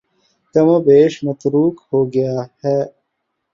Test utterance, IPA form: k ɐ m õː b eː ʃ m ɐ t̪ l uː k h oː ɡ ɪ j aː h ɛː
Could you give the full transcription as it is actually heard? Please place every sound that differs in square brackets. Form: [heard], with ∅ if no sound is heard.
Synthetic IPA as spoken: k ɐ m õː b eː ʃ m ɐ t̪ [ɾ] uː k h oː ɡ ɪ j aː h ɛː